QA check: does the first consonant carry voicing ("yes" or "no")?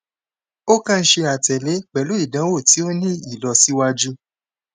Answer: no